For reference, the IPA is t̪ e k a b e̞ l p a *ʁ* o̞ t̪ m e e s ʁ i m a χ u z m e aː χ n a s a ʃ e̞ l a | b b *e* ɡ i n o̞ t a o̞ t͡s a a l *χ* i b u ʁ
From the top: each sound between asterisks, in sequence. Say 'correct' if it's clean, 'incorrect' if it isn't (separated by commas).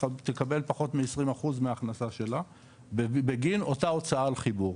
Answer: incorrect, correct, correct